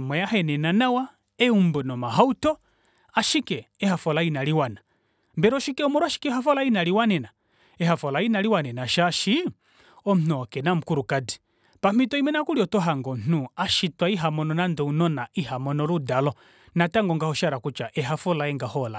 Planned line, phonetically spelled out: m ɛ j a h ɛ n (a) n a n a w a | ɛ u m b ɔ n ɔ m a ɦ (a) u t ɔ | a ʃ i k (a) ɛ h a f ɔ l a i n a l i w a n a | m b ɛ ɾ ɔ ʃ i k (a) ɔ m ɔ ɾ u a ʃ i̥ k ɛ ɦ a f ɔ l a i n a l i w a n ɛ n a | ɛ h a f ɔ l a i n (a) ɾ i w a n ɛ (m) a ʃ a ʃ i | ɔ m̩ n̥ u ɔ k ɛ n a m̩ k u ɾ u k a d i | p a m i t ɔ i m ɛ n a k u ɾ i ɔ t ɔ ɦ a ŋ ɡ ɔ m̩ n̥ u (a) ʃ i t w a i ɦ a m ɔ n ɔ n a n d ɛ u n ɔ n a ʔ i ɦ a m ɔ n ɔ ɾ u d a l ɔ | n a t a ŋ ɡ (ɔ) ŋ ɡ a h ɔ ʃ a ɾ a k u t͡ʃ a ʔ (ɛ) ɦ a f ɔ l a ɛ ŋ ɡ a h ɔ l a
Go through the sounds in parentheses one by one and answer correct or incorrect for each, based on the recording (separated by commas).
incorrect, correct, incorrect, incorrect, correct, incorrect, correct, correct, correct